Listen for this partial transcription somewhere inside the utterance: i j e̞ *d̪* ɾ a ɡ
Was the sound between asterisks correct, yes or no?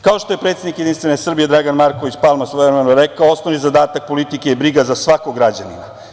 yes